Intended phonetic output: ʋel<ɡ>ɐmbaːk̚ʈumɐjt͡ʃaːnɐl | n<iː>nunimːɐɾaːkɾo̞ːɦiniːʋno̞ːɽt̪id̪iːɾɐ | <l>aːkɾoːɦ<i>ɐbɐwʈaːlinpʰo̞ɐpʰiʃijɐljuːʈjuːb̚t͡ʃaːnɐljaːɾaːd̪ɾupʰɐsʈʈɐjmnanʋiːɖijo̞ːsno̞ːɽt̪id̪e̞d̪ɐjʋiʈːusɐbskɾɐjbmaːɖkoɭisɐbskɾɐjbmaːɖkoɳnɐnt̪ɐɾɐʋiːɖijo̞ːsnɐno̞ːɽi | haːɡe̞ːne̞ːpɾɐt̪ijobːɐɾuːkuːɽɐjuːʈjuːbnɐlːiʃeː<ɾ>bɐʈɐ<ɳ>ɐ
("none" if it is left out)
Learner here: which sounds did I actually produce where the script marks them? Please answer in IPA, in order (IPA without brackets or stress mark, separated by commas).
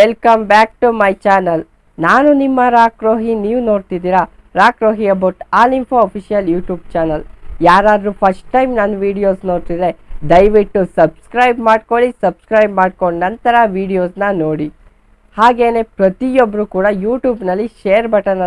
k, aː, ɾ, i, ɾ, n